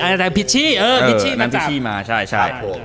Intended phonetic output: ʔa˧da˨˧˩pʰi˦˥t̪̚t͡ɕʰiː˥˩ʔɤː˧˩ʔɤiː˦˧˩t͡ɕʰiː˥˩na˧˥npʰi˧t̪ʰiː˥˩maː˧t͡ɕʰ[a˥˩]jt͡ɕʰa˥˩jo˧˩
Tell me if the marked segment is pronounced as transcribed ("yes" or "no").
yes